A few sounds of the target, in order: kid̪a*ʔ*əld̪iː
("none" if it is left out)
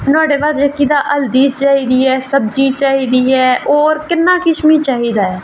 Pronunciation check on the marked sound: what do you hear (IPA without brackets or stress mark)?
ʔ